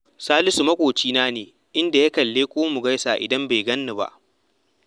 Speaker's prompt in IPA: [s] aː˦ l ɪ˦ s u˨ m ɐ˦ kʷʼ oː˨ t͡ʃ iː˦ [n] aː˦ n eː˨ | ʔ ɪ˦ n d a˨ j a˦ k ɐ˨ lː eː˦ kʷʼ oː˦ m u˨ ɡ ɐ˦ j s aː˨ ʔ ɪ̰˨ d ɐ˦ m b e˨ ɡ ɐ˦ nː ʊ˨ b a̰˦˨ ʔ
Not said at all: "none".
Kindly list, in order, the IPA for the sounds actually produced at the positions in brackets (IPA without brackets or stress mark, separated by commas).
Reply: s, n